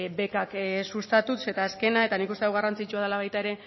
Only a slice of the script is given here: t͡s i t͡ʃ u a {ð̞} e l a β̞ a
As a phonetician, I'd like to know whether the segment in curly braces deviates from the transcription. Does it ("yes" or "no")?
no